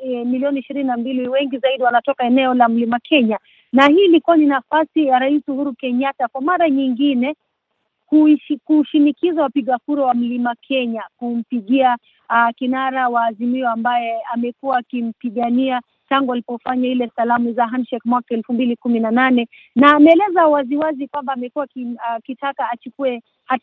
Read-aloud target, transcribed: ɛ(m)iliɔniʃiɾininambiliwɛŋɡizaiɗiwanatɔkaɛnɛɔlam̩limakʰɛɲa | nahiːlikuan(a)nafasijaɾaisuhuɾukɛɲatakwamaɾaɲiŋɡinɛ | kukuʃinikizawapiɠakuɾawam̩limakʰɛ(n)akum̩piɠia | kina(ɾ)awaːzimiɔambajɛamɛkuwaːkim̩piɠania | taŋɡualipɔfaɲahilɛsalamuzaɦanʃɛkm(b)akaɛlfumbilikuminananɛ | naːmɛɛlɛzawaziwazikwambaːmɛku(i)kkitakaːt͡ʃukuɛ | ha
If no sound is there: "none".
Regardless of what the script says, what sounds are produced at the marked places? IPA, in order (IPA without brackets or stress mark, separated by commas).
m, i, ɲ, ɾ, w, a